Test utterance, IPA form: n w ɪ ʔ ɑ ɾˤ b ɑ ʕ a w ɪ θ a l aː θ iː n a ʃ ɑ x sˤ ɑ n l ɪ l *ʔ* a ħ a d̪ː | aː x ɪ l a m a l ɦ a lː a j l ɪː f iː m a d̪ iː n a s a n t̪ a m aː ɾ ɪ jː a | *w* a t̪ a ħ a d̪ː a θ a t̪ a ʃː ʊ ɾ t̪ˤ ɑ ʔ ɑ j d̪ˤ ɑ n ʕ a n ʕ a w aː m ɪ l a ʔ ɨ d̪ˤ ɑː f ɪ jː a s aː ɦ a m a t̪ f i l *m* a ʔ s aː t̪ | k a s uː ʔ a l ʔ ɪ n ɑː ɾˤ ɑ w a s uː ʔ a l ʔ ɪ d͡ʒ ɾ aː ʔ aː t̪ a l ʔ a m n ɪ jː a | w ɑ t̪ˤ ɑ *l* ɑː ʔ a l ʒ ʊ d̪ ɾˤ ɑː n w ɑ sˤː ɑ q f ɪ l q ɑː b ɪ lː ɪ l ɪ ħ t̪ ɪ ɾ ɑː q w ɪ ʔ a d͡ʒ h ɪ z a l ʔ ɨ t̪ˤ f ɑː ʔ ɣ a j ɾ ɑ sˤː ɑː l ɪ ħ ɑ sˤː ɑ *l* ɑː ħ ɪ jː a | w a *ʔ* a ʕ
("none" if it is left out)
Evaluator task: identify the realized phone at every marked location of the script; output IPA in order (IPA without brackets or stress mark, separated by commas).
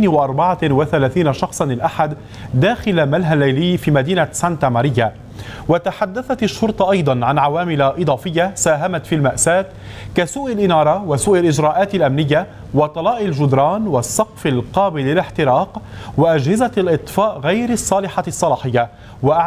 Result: ʔ, w, m, l, l, ʔ